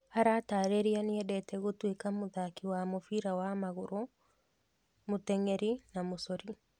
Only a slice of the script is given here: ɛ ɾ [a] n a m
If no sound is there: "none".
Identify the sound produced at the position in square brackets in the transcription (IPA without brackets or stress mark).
i